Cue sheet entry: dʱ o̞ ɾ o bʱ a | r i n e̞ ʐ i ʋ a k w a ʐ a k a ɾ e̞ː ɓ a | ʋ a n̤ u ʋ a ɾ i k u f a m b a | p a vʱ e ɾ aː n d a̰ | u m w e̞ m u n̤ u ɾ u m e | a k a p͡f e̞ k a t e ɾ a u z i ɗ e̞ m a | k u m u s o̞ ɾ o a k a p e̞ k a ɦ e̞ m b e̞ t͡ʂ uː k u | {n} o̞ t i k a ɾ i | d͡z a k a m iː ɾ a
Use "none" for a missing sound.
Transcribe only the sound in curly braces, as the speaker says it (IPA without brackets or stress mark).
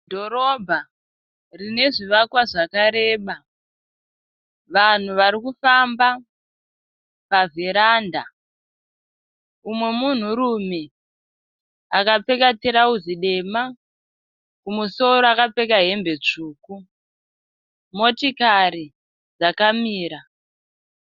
m